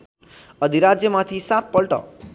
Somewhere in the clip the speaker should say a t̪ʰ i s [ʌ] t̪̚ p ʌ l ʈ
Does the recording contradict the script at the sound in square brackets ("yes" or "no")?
yes